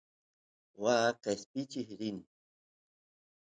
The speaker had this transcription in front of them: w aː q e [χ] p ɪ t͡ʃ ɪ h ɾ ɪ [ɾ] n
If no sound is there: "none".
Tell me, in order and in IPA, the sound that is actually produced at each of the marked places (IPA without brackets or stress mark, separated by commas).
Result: s, none